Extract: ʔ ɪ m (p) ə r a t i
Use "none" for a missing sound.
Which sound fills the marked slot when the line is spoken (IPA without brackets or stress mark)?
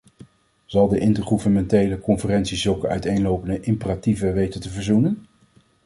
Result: p